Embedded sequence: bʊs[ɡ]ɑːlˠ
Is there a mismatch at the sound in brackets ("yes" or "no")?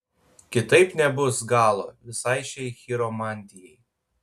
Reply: no